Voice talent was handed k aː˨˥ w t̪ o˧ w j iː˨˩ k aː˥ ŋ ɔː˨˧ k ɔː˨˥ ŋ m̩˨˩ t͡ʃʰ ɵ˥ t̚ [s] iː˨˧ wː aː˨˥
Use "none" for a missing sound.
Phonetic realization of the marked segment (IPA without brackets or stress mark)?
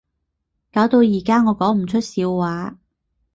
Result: s